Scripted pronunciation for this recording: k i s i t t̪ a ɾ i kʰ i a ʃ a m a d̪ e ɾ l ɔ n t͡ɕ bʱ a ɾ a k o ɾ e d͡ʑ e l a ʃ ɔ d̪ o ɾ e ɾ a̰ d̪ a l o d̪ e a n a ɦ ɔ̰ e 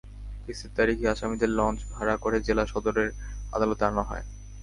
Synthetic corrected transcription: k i s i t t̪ a ɾ i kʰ i a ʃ a m i d̪ e ɾ l ɔ n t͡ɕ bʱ a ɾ a k o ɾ e d͡ʑ e l a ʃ ɔ d̪ o ɾ e ɾ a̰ d̪ a l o t̪ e a n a ɦ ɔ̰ e